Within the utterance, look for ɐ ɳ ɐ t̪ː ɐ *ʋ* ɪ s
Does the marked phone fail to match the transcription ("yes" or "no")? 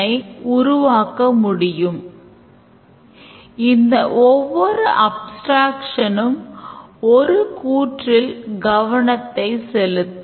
yes